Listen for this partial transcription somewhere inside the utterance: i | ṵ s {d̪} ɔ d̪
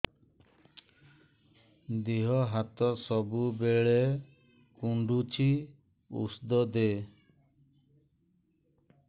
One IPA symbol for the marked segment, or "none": d̪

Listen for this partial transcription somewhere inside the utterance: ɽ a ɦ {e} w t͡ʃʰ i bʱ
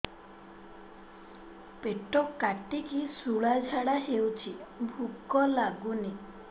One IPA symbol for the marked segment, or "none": e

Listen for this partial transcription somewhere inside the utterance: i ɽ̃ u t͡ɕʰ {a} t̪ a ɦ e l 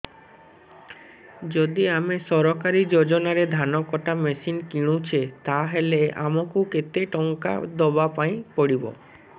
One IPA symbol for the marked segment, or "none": e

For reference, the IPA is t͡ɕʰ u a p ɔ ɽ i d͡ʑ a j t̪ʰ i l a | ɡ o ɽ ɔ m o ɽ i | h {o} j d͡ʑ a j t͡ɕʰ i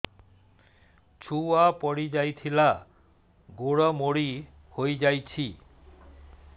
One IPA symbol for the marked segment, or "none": o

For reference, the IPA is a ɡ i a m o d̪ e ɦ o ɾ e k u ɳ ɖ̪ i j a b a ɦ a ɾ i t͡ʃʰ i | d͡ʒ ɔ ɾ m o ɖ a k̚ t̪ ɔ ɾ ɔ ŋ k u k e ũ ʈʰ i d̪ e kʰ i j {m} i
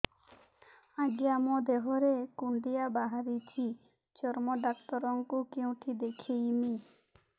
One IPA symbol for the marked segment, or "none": m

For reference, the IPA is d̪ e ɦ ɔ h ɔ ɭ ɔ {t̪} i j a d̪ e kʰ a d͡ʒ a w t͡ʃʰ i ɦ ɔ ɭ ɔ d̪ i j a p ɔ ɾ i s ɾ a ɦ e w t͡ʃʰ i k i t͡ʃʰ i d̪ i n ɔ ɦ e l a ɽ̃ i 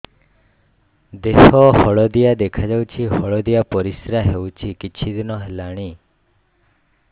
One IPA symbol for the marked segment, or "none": d̪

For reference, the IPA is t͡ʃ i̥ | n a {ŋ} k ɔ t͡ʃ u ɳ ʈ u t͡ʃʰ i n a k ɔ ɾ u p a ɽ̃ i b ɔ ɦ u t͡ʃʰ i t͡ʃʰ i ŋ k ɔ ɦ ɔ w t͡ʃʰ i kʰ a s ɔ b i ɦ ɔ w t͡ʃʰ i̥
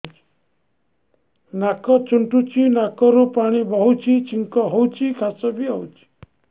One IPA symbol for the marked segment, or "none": none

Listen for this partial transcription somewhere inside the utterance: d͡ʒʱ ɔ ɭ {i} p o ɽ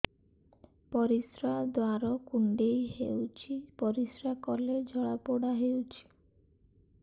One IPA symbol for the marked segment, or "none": a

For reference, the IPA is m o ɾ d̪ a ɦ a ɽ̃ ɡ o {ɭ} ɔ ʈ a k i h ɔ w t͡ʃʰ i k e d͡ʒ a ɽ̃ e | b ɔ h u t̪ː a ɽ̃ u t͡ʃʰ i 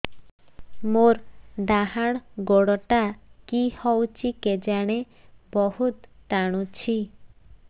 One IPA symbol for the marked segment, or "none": ɽ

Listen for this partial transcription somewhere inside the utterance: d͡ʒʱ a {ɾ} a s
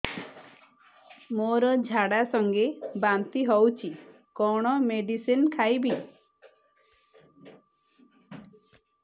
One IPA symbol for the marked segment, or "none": ɽ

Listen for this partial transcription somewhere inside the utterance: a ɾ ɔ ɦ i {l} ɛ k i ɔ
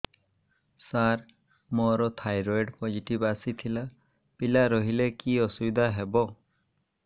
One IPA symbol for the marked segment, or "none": l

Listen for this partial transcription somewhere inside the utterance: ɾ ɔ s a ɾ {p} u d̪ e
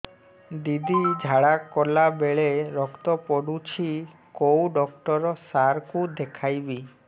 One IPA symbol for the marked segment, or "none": k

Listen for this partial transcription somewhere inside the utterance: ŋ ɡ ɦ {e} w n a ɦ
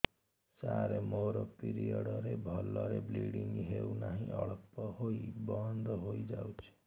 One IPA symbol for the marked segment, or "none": e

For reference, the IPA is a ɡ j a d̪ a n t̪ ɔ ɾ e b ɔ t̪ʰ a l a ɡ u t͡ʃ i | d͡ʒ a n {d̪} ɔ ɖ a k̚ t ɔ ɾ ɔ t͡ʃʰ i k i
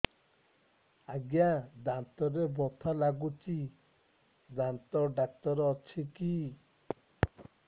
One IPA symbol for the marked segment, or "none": t̪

